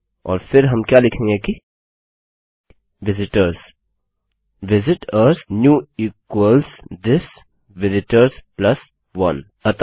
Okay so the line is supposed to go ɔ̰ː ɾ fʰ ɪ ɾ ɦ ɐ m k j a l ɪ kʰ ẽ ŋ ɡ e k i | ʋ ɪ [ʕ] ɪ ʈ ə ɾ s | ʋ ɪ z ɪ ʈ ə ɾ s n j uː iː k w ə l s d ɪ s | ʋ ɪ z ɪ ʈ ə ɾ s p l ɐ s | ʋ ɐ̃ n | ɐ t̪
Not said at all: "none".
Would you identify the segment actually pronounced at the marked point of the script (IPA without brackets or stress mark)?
z